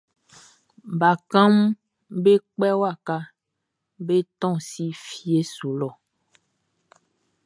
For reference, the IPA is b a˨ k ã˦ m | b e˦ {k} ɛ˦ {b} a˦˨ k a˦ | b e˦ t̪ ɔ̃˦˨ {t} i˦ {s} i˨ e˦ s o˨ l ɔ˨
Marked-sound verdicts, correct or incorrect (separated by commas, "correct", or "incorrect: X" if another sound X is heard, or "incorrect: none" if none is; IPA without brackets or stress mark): incorrect: k͡p, incorrect: w, incorrect: s, incorrect: f